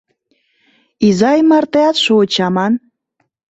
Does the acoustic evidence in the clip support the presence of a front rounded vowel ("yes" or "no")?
no